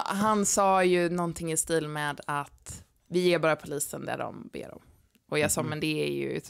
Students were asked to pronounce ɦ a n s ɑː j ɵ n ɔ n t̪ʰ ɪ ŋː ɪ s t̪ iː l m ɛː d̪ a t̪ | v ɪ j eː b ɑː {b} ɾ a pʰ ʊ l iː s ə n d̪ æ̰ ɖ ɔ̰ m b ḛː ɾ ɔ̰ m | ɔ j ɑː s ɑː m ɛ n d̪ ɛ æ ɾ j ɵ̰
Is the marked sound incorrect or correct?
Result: incorrect